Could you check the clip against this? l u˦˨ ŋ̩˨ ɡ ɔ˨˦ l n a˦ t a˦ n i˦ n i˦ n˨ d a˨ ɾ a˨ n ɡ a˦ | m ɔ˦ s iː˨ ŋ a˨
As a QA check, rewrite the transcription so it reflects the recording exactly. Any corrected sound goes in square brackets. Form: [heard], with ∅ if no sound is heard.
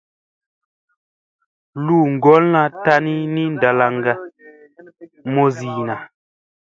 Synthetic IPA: l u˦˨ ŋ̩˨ ɡ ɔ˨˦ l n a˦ t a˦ n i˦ n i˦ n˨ d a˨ [l] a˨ [ŋ] ɡ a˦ | m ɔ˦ [z] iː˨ [n] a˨